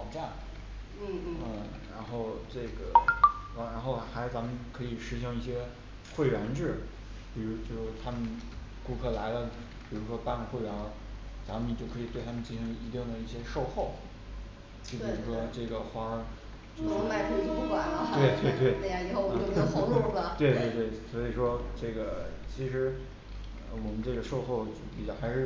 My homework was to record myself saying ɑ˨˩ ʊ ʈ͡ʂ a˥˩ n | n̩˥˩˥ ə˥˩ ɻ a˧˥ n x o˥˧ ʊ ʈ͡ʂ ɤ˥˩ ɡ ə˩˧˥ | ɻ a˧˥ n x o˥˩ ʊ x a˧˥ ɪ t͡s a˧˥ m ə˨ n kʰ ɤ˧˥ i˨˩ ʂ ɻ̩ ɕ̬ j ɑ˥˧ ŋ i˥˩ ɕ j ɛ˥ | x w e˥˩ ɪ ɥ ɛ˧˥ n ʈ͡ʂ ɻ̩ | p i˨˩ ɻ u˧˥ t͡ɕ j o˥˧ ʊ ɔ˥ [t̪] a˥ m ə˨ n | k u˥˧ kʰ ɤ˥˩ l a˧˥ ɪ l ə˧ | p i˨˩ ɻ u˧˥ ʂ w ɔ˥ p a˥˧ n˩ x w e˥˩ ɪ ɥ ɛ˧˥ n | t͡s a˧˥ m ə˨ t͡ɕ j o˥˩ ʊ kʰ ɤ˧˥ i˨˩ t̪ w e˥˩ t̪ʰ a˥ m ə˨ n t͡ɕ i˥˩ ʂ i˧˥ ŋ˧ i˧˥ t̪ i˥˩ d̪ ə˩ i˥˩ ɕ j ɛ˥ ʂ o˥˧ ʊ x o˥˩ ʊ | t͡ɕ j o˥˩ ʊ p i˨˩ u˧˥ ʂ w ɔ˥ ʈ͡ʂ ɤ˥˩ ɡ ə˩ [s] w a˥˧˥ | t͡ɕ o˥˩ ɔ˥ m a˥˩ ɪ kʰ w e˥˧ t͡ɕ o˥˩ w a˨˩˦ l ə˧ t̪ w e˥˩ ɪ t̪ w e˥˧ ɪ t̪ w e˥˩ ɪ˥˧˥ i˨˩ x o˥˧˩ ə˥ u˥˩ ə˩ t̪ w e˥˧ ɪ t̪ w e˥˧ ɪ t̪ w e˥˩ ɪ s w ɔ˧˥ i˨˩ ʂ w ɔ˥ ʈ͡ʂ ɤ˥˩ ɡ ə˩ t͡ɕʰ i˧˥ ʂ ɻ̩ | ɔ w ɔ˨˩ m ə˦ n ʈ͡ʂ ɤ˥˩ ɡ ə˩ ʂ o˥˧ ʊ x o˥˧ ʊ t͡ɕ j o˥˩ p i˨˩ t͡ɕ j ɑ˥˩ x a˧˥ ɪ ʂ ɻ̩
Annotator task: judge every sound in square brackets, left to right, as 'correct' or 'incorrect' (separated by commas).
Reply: incorrect, incorrect